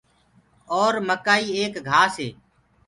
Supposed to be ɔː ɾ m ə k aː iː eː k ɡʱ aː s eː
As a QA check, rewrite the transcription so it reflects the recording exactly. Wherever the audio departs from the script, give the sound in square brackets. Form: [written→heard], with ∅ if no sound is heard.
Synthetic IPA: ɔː ɾ m ə k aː iː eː k ɡʱ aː s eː